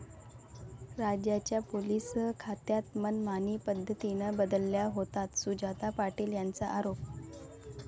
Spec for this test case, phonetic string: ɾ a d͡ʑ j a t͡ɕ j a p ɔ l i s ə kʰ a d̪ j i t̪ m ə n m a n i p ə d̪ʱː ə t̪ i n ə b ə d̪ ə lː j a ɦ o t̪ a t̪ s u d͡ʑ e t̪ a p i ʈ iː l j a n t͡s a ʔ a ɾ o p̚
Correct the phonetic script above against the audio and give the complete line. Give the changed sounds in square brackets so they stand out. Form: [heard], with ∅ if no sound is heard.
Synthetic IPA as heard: ɾ a d͡ʑ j a t͡ɕ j a p [o] l i s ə kʰ a [t̪] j [a] t̪ m ə n m a n i p ə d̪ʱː ə t̪ i n ə b ə d̪ ə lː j a ɦ o t̪ a t̪ s u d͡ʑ [a] t̪ a p [a] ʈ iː l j a n t͡s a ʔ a ɾ o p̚